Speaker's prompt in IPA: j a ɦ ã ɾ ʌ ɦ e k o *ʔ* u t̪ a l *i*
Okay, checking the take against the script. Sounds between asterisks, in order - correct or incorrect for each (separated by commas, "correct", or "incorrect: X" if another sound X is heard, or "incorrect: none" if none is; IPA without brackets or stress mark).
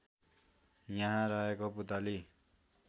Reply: incorrect: p, correct